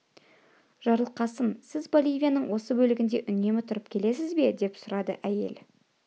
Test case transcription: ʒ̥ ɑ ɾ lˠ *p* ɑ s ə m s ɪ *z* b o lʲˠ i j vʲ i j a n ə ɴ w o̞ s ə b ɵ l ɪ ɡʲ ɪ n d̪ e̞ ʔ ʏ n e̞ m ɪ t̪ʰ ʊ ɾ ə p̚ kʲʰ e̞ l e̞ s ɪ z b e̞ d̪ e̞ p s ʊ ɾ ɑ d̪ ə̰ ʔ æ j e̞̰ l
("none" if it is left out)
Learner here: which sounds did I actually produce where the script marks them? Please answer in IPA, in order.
q, z

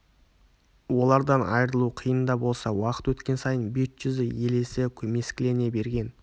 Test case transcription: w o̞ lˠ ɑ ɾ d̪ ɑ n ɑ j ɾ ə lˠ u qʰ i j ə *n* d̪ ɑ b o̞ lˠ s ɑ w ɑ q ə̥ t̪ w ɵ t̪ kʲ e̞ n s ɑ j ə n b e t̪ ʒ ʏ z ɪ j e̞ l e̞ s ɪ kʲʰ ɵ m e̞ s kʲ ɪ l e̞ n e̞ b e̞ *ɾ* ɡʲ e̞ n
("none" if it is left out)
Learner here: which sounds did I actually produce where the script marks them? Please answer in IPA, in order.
n, ɾ

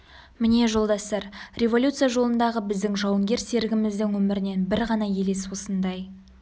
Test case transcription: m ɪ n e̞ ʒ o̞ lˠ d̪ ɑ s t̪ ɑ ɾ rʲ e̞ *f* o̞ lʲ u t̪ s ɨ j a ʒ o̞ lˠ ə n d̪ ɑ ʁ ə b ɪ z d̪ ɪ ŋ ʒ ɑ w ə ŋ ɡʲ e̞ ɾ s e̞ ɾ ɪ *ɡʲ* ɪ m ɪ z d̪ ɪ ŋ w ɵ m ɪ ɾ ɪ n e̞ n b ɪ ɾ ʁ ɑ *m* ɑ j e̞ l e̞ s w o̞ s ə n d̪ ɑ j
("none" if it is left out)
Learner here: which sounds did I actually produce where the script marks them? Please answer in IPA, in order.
v, ɡʲ, n

